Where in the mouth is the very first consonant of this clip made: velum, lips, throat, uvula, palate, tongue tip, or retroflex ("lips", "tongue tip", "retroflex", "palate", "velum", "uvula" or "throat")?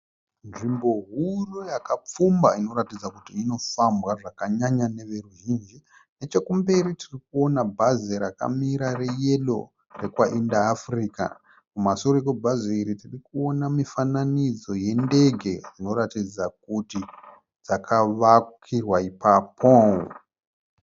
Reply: tongue tip